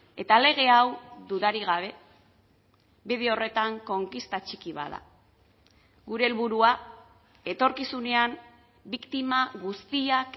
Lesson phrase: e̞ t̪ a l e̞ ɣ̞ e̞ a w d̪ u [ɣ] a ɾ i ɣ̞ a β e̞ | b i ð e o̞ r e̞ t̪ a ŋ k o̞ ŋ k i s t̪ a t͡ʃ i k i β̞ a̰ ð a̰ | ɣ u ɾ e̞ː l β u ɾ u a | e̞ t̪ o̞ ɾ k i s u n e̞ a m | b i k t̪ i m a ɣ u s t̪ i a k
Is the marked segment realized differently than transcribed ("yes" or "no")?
yes